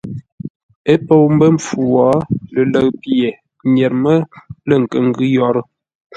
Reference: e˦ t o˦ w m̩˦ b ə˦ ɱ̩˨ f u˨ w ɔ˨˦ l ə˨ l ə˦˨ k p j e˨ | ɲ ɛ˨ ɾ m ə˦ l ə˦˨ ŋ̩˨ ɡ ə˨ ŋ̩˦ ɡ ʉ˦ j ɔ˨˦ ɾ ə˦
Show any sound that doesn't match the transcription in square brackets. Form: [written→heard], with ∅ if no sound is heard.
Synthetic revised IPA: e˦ [t→p] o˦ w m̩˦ b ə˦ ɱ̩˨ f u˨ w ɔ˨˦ l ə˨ l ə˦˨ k p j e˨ | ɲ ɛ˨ ɾ m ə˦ l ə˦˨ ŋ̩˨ [ɡ→k] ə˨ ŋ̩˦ ɡ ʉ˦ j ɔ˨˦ ɾ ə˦